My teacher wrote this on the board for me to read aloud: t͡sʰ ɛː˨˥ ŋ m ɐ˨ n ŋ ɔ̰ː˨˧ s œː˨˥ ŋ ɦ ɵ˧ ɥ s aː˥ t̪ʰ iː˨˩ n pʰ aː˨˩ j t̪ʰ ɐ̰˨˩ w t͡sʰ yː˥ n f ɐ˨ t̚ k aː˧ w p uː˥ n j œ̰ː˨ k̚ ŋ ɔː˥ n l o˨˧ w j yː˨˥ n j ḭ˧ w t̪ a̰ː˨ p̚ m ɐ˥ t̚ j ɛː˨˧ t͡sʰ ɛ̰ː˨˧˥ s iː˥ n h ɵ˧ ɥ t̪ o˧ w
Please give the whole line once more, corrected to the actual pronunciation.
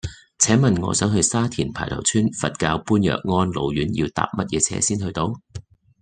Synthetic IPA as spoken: t͡sʰ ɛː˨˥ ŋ m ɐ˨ n ŋ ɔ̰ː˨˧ s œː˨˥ ŋ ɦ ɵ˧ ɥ s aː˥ t̪ʰ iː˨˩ n pʰ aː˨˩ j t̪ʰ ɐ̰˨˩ w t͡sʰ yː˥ n f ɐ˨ t̚ k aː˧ w p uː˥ n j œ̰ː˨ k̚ ŋ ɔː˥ n l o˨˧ w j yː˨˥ n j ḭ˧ w t̪ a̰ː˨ p̚ m ɐ˥ t̚ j ɛː˨˧ t͡sʰ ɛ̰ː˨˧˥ s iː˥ n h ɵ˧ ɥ t̪ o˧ w